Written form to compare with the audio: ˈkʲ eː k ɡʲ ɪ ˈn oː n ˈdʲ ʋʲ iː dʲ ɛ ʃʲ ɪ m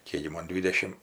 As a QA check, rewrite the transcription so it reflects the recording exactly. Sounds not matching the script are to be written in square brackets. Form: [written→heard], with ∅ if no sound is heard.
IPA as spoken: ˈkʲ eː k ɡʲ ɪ [ˈn→ˈm] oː n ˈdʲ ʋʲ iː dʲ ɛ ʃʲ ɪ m